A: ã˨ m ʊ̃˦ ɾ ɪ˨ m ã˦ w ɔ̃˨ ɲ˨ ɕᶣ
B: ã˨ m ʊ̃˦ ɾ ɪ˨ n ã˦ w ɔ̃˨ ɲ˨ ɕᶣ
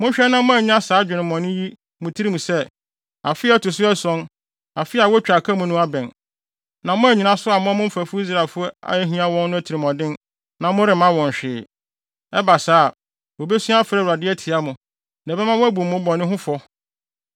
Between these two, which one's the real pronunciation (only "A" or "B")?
A